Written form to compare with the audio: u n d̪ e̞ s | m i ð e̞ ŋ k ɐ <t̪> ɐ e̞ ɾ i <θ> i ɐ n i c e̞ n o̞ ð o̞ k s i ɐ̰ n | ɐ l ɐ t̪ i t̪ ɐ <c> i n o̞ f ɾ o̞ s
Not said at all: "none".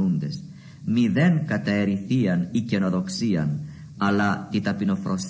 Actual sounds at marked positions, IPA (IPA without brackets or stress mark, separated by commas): t̪, θ, p